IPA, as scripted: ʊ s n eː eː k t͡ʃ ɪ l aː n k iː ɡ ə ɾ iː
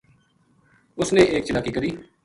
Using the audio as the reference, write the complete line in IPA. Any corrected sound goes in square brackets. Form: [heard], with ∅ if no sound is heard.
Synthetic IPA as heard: ʊ s n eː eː k t͡ʃ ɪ l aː [∅] k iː [k] ə ɾ iː